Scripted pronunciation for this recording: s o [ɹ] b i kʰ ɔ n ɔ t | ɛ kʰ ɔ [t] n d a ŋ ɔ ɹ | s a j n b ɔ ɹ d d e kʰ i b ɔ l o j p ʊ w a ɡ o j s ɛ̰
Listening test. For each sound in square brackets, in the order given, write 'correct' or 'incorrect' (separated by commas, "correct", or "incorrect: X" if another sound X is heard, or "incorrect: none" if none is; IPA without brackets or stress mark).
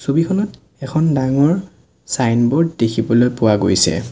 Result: incorrect: none, incorrect: none